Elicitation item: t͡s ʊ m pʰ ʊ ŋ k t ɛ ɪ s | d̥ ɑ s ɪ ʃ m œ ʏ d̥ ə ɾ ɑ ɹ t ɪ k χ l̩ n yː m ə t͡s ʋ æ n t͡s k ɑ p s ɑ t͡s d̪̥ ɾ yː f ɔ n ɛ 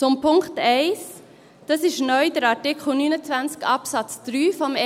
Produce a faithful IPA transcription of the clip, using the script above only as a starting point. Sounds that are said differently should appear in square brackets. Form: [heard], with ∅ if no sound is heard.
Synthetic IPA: t͡s ʊ m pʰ ʊ ŋ k t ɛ ɪ s | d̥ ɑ s ɪ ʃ [n] œ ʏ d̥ ə ɾ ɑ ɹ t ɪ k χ l̩ n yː [n] ə t͡s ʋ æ n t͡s k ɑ p s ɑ t͡s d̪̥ ɾ yː f ɔ [m] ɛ